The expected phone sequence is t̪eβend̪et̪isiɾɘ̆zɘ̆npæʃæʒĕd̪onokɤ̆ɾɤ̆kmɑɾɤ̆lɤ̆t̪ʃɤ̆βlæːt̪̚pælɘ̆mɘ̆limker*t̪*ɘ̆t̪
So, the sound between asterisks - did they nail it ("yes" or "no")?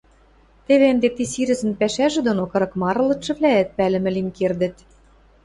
no